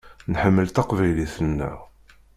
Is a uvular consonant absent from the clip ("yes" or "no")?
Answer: no